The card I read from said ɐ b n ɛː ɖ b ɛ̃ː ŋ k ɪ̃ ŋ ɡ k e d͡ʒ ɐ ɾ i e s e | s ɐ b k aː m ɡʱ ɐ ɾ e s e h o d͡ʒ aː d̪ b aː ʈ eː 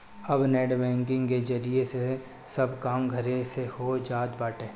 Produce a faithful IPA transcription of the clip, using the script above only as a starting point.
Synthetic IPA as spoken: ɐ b n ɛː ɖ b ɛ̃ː ŋ k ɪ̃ ŋ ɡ k e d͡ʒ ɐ ɾ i e s e | s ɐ b k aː m ɡʱ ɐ ɾ e s e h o d͡ʒ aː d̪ b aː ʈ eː